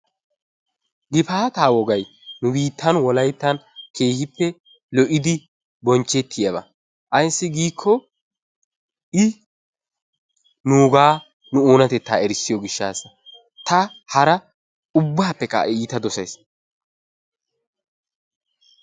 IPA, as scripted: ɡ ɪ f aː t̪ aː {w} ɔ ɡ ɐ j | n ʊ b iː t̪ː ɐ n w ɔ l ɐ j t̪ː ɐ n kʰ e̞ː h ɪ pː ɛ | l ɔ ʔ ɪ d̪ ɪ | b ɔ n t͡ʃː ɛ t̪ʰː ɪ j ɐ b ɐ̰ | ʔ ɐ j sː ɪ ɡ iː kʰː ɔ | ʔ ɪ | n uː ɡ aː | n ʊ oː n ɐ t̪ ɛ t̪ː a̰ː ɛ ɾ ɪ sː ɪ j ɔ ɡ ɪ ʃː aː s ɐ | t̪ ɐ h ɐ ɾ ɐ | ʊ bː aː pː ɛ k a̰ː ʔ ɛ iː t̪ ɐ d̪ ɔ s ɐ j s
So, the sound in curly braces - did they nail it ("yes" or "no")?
yes